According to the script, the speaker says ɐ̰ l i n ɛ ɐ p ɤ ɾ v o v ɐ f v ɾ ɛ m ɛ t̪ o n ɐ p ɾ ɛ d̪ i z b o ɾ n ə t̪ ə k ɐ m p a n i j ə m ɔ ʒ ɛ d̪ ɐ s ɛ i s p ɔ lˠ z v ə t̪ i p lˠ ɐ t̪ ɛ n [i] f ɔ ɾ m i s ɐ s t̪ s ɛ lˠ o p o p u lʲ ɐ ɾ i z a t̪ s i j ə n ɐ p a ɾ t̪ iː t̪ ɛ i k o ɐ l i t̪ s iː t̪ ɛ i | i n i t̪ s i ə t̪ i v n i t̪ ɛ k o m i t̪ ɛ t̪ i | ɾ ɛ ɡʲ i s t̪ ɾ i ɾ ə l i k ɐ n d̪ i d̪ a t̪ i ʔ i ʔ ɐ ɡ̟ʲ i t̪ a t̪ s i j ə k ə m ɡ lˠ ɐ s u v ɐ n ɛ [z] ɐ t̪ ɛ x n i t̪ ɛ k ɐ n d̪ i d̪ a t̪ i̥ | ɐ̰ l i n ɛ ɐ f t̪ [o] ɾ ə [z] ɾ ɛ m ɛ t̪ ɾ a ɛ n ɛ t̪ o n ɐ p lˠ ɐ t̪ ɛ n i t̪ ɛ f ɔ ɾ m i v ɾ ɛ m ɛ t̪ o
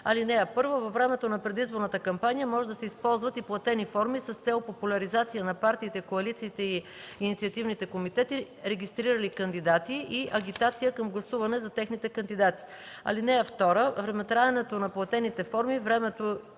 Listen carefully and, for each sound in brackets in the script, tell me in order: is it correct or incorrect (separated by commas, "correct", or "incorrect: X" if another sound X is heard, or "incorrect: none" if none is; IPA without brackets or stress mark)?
correct, correct, incorrect: ɔ, incorrect: v